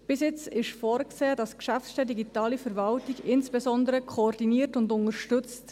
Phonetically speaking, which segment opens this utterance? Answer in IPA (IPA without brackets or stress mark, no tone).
b̥